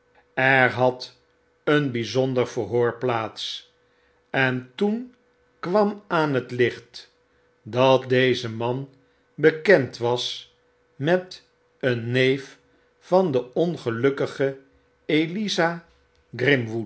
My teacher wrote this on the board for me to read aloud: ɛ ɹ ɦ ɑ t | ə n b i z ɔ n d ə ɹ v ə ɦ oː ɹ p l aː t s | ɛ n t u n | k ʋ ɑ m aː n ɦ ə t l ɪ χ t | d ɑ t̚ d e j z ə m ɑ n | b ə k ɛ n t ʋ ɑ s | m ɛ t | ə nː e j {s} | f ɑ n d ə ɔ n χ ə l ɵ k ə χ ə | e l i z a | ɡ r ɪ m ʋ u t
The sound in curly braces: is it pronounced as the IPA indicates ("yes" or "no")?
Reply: no